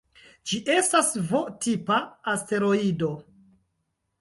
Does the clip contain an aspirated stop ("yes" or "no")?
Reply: no